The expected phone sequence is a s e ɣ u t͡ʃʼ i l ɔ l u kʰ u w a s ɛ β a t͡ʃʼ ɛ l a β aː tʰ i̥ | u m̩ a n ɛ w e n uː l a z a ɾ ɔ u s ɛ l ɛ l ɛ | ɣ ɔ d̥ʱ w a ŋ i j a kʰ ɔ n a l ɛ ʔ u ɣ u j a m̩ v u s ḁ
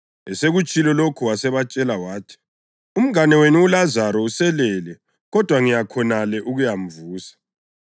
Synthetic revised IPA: ɛ s e ɣ u t͡ʃʼ i l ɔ l o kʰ u w a s ɛ β a t͡ʃʼ ɛ l a w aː tʰ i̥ | u m̩ a n ɛ w e n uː l a z a ɾ ɔ u s ɛ l ɛ l ɛ | ɣ ɔ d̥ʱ w a ŋ i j a kʰ ɔ n a l ɛ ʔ u ɣ u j a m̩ v uː s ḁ